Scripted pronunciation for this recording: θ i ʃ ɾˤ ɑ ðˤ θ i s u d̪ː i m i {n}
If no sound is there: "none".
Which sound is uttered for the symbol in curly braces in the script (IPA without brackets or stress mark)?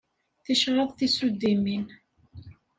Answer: n